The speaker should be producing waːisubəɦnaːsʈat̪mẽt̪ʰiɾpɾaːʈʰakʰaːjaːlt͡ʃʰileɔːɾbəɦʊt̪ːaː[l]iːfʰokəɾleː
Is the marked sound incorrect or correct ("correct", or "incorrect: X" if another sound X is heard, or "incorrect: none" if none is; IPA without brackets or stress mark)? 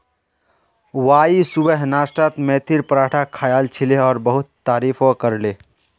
incorrect: ɾ